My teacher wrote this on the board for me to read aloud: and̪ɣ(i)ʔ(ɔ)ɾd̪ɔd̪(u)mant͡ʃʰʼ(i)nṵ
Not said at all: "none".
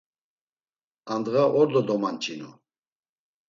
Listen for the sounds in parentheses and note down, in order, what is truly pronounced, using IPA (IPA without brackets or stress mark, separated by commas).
a, ɔ, ɔ, i